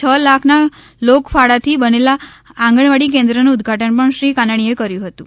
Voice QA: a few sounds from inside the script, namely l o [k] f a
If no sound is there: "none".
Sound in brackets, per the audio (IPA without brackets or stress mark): k